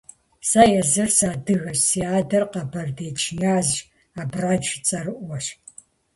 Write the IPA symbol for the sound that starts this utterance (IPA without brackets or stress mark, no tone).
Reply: s